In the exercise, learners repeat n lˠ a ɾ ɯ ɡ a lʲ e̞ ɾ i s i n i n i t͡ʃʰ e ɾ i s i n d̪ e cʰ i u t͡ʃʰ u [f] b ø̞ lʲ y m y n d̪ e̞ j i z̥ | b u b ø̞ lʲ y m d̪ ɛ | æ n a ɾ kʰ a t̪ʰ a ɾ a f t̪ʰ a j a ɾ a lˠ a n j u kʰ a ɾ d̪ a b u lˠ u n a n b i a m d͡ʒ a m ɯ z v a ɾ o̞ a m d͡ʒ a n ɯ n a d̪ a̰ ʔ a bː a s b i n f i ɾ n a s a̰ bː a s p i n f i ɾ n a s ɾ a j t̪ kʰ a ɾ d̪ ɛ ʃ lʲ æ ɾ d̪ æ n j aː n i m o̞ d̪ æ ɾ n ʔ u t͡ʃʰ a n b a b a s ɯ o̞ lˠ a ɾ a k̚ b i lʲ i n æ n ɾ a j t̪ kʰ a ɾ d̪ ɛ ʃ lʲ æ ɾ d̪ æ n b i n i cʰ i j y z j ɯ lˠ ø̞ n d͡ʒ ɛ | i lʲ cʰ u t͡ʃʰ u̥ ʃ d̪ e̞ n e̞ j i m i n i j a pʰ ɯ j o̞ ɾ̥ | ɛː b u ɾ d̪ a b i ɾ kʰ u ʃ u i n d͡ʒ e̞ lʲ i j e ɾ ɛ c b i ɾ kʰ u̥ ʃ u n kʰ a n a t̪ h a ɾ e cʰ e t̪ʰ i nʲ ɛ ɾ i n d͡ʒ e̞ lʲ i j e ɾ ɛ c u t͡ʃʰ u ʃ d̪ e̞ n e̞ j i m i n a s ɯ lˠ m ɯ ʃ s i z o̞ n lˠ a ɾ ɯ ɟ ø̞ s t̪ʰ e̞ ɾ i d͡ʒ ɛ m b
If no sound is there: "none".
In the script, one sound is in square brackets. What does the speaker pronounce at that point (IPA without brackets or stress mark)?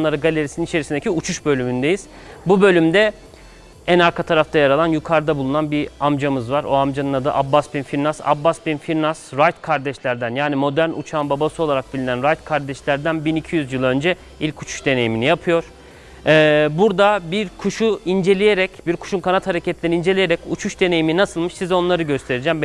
ʃ